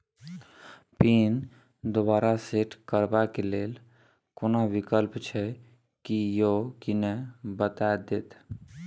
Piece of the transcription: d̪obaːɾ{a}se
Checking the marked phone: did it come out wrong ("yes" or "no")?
no